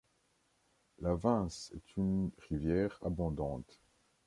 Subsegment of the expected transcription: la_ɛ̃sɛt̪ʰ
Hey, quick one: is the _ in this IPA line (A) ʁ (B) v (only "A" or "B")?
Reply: B